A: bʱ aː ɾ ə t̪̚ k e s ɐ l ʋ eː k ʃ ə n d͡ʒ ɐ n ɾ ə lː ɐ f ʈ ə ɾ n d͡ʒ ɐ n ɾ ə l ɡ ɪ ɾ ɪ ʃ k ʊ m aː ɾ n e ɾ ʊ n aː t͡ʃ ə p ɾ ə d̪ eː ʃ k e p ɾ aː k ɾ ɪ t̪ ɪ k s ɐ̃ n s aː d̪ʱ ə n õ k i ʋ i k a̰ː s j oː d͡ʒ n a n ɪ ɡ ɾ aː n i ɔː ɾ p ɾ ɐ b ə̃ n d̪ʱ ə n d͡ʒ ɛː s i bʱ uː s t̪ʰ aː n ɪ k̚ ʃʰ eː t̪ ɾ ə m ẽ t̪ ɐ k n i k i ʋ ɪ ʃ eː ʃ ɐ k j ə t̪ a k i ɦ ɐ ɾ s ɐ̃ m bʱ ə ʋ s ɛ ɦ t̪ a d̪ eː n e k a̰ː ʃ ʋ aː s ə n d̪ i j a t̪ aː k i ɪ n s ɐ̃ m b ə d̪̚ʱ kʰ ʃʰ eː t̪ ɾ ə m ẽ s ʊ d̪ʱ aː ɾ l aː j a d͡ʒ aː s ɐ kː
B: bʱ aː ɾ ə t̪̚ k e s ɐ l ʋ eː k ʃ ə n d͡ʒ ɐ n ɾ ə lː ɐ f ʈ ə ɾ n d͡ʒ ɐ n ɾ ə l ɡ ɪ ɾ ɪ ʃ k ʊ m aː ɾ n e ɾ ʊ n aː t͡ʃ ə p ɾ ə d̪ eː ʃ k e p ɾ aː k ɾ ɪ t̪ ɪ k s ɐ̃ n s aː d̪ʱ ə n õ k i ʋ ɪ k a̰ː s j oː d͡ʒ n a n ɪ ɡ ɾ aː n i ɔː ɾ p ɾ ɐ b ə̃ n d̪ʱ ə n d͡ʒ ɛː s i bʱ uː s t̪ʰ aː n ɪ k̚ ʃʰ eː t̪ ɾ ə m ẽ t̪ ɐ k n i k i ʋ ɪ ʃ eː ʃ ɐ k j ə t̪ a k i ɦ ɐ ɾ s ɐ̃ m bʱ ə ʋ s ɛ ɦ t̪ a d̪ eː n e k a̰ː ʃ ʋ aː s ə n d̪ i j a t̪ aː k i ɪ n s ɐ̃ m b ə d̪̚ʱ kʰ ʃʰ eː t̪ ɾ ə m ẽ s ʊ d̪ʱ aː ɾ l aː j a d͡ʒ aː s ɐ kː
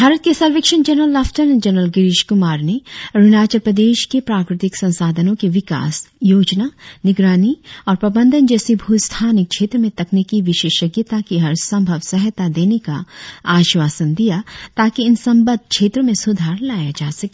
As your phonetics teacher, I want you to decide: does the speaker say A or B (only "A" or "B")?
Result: B